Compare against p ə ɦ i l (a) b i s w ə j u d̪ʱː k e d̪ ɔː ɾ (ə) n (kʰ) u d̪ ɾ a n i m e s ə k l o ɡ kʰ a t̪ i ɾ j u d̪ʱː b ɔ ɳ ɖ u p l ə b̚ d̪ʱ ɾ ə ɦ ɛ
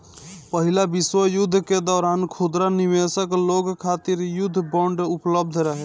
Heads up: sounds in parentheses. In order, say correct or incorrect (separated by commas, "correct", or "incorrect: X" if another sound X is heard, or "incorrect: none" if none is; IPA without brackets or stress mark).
correct, incorrect: a, correct